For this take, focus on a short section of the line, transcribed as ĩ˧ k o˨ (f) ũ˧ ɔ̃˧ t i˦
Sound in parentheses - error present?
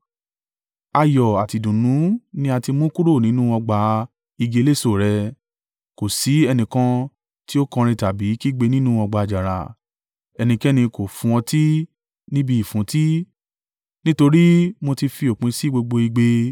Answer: no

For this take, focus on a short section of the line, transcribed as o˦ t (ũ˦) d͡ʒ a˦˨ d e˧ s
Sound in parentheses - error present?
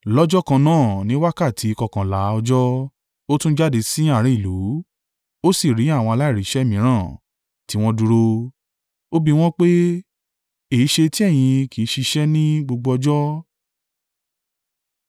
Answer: no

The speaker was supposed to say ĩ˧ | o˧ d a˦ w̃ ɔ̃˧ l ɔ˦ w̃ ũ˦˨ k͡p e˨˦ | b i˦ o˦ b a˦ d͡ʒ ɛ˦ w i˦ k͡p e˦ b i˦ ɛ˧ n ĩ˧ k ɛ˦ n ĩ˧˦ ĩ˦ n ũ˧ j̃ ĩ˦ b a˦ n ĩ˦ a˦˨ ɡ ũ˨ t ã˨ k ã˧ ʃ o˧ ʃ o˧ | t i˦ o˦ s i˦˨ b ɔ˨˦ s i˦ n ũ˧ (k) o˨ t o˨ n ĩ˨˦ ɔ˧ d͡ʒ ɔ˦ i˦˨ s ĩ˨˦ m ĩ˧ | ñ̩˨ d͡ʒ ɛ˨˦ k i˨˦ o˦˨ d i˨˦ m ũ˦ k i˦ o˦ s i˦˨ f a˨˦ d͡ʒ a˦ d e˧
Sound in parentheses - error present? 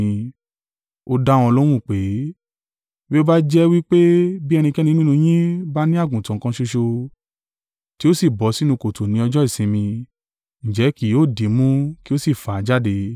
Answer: no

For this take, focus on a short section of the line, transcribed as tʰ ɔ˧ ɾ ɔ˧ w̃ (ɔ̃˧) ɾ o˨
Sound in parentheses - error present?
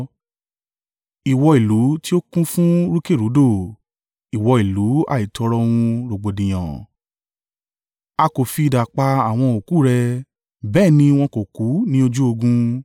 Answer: yes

